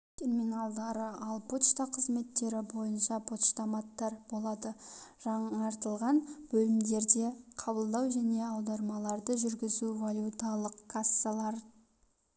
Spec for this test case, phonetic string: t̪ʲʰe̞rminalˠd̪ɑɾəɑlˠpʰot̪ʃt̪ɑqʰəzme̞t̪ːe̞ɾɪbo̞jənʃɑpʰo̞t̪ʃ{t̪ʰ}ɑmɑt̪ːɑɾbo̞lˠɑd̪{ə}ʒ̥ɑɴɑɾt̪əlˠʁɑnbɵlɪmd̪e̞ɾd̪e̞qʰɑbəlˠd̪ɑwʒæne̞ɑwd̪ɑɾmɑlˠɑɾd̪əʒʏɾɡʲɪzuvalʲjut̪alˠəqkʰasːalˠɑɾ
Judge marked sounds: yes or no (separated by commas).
no, yes